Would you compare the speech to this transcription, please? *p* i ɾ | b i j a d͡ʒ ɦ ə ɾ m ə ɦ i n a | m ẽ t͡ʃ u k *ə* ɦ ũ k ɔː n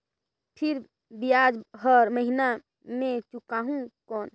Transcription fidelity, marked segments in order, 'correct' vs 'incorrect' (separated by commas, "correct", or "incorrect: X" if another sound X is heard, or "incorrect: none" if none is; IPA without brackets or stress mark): incorrect: pʰ, incorrect: a